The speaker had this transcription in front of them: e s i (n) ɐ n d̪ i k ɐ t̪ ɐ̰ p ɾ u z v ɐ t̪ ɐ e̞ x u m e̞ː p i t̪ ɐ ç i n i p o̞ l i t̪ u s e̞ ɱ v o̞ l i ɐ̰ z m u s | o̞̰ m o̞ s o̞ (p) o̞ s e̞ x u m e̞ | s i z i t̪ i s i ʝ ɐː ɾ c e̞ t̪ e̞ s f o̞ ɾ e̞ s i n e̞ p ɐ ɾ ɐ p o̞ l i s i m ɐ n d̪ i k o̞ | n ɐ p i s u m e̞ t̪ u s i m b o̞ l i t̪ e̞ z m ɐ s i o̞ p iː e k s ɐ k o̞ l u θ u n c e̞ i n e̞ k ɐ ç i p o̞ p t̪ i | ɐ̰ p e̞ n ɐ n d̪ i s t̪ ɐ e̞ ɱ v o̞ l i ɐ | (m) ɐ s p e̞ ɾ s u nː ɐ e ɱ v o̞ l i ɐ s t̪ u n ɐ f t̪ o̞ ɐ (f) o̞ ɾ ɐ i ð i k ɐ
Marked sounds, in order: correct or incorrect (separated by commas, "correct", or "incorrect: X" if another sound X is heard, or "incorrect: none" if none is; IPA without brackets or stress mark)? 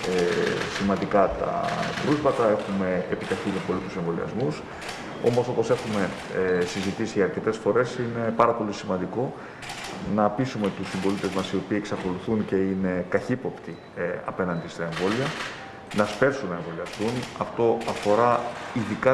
incorrect: m, correct, incorrect: n, correct